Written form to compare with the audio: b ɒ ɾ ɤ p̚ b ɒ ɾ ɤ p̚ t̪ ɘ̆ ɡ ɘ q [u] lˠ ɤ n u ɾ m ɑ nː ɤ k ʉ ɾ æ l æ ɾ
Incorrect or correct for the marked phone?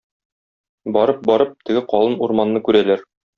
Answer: incorrect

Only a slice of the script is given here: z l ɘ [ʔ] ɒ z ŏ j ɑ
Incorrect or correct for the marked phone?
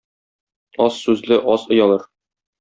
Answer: correct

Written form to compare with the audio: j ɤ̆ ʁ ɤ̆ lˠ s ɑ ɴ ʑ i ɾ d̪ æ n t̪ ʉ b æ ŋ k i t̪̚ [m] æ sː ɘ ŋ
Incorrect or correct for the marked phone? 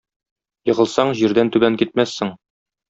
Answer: correct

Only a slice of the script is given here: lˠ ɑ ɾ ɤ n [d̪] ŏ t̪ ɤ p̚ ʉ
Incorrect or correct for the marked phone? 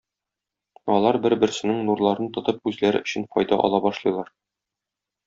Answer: incorrect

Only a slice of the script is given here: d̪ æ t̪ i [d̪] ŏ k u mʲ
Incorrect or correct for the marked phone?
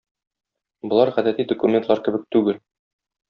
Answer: correct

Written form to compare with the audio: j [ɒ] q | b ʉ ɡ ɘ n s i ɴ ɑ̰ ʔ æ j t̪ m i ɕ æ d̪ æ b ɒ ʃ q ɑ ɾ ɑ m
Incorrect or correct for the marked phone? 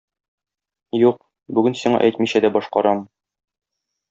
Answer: incorrect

